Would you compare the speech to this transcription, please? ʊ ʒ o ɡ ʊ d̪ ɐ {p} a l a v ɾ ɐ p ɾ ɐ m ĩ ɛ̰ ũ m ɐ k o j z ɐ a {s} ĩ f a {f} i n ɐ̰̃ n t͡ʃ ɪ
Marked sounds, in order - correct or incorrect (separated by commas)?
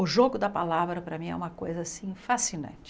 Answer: correct, correct, incorrect